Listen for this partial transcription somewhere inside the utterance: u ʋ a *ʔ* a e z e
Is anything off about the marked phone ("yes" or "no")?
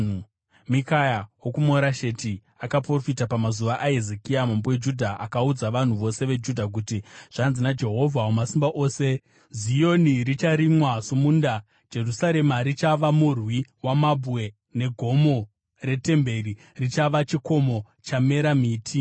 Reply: no